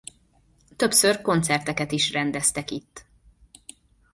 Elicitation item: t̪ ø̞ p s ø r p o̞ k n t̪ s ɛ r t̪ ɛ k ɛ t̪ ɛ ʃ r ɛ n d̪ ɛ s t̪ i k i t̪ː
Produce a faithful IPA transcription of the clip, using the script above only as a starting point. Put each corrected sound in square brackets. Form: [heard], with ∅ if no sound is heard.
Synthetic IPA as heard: t̪ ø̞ p s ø r [k] o̞ [∅] n t̪ s ɛ r t̪ ɛ k ɛ t̪ [i] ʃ r ɛ n d̪ ɛ s t̪ [ɛ] k i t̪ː